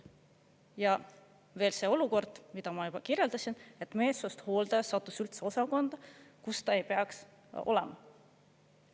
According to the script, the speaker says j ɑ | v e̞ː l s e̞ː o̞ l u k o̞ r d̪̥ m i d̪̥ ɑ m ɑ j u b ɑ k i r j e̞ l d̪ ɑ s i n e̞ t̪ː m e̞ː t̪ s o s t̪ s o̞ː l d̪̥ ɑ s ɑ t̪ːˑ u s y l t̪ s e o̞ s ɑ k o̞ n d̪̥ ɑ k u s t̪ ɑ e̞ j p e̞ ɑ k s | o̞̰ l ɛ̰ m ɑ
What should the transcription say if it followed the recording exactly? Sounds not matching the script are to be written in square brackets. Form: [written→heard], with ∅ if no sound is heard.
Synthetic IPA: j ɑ | v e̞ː l s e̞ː o̞ l u k o̞ r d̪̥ m i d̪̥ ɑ m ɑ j u b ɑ k i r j e̞ l d̪ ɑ s i n e̞ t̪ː m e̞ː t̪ s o s t̪ [s→h] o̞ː l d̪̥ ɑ s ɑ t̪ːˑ u s y l t̪ s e o̞ s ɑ k o̞ n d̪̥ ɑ k u s t̪ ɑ e̞ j p e̞ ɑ k s | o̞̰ l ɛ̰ m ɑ